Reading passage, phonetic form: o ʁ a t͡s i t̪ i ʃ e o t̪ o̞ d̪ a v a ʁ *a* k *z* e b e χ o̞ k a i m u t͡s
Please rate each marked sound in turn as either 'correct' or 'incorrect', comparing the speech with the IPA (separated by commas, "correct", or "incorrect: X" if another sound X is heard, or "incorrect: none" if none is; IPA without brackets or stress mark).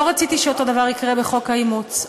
incorrect: i, incorrect: ʁ